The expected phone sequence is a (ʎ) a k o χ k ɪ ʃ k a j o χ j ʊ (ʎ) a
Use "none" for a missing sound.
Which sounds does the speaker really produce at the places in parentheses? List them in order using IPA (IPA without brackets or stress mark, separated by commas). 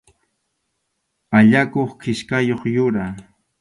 ʎ, ɾ